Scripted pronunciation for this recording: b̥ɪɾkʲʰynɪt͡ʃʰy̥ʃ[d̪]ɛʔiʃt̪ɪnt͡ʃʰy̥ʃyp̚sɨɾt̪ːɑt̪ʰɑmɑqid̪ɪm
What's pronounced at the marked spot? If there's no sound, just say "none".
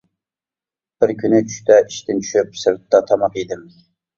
t̪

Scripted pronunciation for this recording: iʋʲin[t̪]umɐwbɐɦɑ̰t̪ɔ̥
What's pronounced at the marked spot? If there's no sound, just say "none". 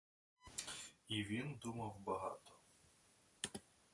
d̪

